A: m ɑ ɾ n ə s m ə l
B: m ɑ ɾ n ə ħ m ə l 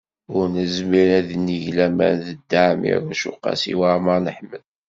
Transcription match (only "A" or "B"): B